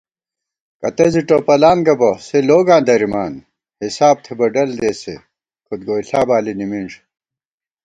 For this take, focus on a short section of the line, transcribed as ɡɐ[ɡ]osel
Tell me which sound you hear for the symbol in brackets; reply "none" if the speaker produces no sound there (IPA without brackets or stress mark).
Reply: b